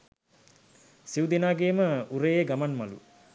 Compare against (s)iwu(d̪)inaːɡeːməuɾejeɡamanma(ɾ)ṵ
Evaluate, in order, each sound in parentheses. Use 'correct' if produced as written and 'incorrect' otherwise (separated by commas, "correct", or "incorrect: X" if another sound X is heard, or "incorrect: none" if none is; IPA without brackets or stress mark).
correct, correct, incorrect: l